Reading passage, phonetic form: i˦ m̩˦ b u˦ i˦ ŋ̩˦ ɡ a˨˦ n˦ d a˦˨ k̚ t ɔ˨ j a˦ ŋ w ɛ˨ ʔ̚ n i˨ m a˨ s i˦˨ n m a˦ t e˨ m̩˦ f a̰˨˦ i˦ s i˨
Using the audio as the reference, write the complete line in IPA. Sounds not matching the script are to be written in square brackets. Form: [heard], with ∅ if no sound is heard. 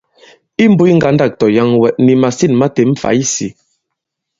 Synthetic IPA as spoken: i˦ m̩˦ b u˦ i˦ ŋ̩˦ ɡ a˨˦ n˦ d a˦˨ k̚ t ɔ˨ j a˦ ŋ w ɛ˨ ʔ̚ n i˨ m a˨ s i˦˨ n m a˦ t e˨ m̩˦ f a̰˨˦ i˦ s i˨